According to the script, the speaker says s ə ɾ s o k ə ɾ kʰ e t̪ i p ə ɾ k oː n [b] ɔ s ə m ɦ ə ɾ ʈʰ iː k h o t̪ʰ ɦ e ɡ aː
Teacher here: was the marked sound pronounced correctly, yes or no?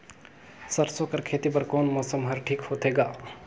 no